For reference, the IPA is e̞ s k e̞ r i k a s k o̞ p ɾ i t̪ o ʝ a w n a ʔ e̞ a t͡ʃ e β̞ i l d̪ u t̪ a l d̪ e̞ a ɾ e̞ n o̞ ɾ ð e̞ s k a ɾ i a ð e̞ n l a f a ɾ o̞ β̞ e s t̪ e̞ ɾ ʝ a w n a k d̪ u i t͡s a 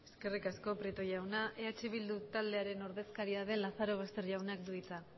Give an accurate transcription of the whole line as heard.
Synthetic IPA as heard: e̞ s k e̞ r i k a s k o̞ p ɾ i t̪ o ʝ a w n a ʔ e̞ a t͡ʃ e β̞ i l d̪ u t̪ a l d̪ e̞ a ɾ e̞ n o̞ ɾ ð e̞ s k a ɾ i a ð e̞ n l a θ a ɾ o̞ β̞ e s t̪ e̞ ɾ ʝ a w n a k d̪ u i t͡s a